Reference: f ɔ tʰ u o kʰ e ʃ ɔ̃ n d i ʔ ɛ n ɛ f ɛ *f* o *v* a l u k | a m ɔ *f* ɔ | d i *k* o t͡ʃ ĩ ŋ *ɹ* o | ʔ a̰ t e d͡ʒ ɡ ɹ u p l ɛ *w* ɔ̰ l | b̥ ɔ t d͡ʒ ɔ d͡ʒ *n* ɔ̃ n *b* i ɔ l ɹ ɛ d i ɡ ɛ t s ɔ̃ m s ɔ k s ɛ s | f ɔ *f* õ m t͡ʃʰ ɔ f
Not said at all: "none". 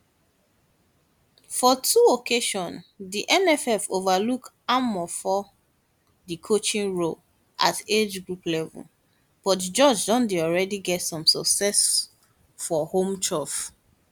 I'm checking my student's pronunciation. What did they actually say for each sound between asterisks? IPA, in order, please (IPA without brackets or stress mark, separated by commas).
f, v, f, kʰ, ɹ, v, d, d, h